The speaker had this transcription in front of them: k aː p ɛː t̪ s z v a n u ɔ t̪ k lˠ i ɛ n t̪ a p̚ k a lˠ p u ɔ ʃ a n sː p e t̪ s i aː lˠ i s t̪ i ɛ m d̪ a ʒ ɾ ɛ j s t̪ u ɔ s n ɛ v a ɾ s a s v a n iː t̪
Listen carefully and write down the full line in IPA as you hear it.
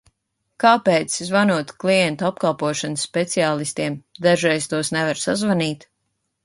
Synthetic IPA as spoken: k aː p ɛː t̪ s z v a n u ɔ t̪ k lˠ i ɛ n t̪ a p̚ k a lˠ p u ɔ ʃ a n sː p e t̪ s i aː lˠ i s t̪ i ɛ m d̪ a ʒ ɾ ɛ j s t̪ u ɔ s n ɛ v a ɾ s a z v a n iː t̪